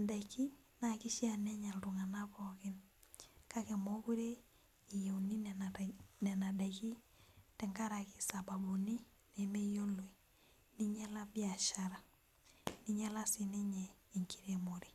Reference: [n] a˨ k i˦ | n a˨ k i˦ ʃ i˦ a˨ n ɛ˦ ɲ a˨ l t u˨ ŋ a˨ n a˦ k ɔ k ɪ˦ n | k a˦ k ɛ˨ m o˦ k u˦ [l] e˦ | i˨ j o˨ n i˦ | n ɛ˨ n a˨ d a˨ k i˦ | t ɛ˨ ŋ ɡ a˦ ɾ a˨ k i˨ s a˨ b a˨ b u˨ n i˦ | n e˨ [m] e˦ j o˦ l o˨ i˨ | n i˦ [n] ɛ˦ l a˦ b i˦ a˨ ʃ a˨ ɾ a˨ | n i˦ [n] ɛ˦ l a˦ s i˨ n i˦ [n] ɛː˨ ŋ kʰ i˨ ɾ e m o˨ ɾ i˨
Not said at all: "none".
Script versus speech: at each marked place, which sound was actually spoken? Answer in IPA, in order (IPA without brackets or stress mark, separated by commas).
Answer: d, ɾ, m, ɲ, ɲ, ɲ